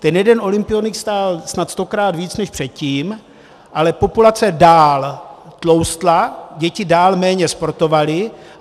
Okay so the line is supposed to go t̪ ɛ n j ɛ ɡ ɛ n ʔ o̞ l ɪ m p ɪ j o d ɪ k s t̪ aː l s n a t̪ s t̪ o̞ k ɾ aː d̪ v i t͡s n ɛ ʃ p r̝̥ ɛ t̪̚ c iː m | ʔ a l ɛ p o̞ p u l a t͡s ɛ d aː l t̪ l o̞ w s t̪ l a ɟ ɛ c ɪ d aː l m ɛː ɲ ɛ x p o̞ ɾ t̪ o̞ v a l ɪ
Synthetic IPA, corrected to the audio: t̪ ɛ n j ɛ d ɛ n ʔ o̞ l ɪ m p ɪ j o n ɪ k s t̪ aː l s n a t̪ s t̪ o̞ k ɾ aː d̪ v iː t͡s n ɛ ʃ p r̝̥ ɛ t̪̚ c iː m | ʔ a l ɛ p o̞ p u l a t͡s ɛ d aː l t̪ l o̞ w s t̪ l a ɟ ɛ c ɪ d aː l m ɛː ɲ ɛ s p o̞ ɾ t̪ o̞ v a l ɪ